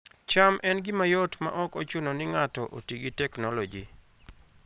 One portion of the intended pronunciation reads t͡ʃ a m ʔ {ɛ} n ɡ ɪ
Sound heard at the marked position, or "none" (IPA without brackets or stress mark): ɛ